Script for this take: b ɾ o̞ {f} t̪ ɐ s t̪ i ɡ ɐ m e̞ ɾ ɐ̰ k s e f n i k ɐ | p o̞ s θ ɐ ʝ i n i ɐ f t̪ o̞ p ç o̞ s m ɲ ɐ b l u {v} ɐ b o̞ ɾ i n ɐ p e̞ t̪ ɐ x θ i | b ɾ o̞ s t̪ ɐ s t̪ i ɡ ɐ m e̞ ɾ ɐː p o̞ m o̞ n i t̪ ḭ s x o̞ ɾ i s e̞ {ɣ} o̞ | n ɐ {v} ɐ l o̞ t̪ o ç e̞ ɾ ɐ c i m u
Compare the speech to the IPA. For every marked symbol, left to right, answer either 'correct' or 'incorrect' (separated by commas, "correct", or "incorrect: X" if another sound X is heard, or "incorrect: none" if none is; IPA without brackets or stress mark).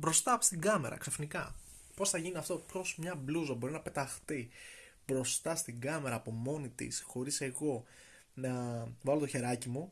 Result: incorrect: s, incorrect: z, correct, correct